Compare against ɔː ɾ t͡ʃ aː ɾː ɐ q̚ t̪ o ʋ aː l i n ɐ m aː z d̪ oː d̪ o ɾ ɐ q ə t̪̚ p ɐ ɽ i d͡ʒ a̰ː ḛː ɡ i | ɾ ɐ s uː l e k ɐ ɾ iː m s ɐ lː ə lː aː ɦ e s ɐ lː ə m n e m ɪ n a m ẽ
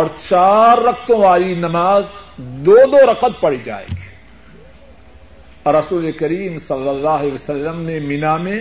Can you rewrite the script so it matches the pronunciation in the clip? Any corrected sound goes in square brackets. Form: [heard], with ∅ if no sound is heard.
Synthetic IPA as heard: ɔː ɾ t͡ʃ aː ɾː ɐ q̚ t̪ [õ] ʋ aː l i n ɐ m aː z d̪ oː d̪ o ɾ ɐ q ə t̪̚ p ɐ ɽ i d͡ʒ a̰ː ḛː ɡ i | ɾ ɐ s uː l e k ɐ ɾ iː m s ɐ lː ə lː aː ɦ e s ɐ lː ə m n e m ɪ n a m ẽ